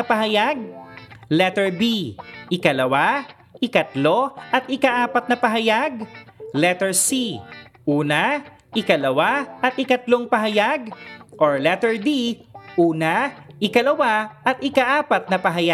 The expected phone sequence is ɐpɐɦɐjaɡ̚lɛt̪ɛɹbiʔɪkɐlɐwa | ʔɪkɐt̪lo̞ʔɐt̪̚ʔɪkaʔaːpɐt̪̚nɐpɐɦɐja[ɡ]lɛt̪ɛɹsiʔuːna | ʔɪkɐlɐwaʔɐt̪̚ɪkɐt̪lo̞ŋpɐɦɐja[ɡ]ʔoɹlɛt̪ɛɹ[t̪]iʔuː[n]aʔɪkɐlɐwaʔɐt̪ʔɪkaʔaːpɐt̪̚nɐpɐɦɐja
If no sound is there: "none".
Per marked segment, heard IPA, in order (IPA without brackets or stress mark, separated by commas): ɡ, ɡ, d̪, n